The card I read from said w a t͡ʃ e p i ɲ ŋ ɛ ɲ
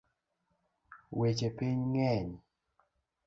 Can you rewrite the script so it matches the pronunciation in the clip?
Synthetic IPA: w e t͡ʃ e p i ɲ ŋ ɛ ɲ

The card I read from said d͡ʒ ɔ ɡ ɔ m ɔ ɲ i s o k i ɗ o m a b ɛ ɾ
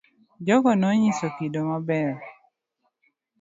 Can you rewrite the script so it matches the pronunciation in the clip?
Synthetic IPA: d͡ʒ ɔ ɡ ɔ n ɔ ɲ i s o k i d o m a b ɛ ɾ

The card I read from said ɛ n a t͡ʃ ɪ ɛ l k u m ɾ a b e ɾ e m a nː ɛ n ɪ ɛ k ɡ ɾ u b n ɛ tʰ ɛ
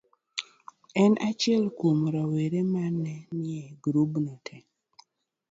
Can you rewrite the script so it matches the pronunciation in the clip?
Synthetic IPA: ɛ n a t͡ʃ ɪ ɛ l k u m ɾ a w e ɾ e m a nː ɛ n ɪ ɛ ɡ ɾ u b n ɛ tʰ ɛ

